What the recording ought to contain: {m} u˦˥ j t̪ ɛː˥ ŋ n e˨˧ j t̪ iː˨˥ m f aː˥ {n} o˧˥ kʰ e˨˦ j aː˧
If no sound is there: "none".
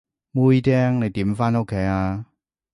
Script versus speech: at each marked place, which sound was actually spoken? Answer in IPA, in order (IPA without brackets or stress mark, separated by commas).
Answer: m, n